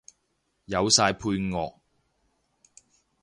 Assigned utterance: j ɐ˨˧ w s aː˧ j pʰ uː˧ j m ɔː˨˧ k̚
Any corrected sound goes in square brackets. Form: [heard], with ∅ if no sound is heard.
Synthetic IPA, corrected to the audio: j ɐ˨˧ w s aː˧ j pʰ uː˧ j [ŋ] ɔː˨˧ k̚